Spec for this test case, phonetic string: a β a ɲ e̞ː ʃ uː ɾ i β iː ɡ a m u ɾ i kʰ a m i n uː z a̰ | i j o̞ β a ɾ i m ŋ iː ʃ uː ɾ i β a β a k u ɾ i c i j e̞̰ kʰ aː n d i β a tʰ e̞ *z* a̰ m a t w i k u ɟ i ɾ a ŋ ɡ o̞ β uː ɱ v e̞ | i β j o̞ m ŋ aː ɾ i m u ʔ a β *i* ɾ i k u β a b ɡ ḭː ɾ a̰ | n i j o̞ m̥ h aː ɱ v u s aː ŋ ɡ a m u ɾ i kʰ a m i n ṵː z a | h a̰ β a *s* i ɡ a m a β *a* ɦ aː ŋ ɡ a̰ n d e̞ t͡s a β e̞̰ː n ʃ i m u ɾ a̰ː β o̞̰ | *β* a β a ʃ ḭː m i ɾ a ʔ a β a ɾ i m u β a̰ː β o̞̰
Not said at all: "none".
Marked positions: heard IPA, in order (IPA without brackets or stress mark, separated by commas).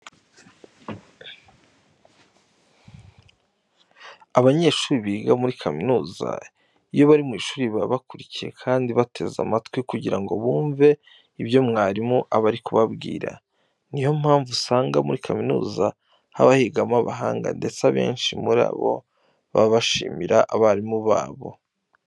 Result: z, a, h, a, β